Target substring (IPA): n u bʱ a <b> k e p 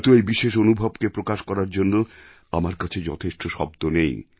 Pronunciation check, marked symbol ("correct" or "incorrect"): correct